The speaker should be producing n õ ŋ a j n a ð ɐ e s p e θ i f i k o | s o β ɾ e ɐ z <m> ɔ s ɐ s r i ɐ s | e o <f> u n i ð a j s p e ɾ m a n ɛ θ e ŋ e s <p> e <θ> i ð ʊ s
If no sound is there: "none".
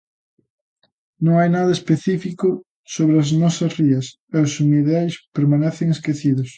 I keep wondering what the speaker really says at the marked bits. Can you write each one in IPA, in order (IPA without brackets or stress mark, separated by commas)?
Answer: n, s, k, θ